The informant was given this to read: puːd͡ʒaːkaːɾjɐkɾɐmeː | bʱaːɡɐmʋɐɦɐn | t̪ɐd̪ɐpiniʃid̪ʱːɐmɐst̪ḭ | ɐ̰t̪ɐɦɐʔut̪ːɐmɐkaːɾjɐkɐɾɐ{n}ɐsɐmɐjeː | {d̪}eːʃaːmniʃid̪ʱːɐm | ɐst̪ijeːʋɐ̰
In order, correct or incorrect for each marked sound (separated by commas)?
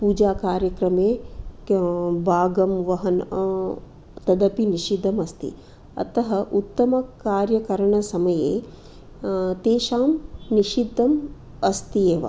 incorrect, incorrect